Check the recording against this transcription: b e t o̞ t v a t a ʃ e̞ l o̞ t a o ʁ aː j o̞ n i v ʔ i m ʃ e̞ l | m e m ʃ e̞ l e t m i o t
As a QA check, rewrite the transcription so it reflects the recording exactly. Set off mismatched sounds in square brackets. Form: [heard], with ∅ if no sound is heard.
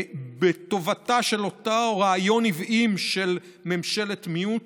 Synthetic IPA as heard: b e t o̞ [∅] v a t a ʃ e̞ l o̞ t a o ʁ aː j o̞ n i v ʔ i m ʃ e̞ l | m e m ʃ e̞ l e t m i [u] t